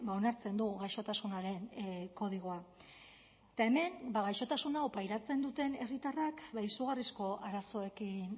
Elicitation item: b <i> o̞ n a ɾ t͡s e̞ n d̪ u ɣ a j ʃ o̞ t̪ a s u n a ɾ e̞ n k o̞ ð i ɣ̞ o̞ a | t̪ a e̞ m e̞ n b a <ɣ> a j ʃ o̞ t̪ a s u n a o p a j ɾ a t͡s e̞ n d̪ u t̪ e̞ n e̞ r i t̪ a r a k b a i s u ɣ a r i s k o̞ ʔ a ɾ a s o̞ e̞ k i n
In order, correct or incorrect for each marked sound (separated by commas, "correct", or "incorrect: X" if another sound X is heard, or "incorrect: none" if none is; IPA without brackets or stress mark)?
incorrect: a, correct